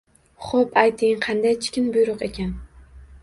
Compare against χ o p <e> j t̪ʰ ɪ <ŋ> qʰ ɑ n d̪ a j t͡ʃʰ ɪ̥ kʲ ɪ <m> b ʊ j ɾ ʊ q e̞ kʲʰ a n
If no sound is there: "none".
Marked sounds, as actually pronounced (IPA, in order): a, ŋ, n

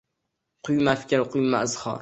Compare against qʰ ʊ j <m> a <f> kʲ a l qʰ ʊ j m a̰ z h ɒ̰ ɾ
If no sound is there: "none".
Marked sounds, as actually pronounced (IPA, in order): m, f

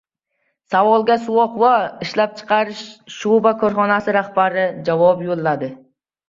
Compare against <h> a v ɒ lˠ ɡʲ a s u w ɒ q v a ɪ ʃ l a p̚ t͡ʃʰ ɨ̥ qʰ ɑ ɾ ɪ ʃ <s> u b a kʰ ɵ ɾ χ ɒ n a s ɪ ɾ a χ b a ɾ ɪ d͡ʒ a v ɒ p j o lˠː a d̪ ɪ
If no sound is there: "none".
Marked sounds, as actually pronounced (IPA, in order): s, ʃ

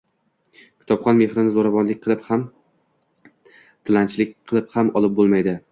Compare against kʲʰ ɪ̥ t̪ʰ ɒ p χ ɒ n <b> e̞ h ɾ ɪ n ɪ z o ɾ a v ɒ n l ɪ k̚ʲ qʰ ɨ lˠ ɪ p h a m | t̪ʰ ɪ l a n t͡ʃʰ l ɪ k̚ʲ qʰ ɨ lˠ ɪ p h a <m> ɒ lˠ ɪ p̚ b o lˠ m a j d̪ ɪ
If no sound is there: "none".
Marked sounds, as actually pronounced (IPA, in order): m, m

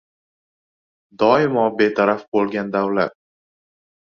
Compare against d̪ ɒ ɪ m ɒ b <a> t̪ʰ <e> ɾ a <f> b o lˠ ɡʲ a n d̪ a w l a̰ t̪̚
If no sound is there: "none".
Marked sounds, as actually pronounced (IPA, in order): e, a, f

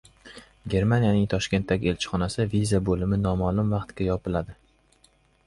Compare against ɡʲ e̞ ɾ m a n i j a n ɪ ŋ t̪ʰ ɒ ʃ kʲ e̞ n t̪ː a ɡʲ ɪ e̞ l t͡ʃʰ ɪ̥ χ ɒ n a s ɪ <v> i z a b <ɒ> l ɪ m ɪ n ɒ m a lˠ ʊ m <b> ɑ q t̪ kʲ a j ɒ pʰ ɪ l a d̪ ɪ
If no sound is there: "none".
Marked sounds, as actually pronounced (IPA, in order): v, o, v

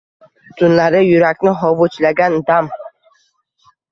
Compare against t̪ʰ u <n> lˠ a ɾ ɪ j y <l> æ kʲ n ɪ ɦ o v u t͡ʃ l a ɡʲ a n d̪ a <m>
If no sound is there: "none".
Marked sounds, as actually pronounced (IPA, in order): n, ɾ, m

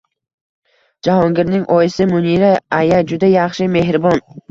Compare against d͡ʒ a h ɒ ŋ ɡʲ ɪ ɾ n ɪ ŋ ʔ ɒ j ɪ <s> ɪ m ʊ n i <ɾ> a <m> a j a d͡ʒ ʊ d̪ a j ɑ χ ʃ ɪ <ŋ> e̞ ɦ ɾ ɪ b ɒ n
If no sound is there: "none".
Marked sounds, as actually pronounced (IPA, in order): s, ɾ, none, m

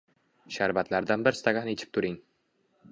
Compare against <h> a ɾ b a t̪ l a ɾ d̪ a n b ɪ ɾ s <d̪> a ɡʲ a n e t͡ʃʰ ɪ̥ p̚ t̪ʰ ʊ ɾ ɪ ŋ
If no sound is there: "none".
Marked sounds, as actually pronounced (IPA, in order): ʃ, t̪

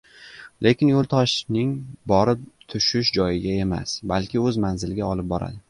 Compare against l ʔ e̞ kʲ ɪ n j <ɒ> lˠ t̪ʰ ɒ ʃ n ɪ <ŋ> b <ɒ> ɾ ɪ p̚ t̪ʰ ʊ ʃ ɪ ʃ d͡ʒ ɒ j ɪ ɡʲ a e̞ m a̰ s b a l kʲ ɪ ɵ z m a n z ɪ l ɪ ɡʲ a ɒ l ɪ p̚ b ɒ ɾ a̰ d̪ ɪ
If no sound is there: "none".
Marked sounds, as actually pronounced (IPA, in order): o, ŋ, ɒ

